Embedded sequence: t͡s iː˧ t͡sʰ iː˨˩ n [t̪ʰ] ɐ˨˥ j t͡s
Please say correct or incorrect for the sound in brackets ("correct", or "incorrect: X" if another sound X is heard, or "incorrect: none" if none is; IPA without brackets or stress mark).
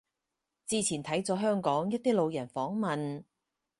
correct